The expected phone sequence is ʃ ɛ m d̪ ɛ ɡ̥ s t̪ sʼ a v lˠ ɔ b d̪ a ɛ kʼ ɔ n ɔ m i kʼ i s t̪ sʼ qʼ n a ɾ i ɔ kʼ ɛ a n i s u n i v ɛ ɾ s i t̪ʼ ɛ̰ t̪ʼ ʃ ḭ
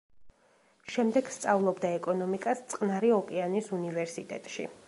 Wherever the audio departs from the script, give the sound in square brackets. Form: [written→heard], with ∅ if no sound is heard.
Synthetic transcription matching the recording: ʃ ɛ m d̪ ɛ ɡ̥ s t̪ sʼ a v lˠ ɔ b d̪ a ɛ kʼ ɔ n ɔ m i kʼ [i→a] s t̪ sʼ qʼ n a ɾ i ɔ kʼ ɛ a n i s u n i v ɛ ɾ s i t̪ʼ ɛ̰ t̪ʼ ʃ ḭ